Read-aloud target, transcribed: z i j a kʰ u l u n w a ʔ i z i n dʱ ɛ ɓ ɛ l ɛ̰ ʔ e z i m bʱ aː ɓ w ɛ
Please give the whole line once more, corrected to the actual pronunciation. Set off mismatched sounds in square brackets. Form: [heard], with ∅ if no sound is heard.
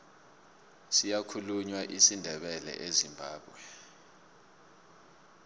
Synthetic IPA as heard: [s] i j a kʰ u l u [ɲ] w a ʔ i [s] i n dʱ ɛ ɓ ɛ l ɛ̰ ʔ e z i m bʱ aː ɓ w ɛ